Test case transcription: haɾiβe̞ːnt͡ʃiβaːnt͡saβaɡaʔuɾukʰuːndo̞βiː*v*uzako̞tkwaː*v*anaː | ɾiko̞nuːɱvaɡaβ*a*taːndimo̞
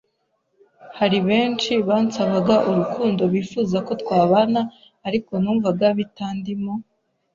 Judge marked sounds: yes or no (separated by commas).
no, no, no